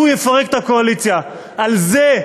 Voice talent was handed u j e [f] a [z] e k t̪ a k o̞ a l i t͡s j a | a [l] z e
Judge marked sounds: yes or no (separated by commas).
yes, no, yes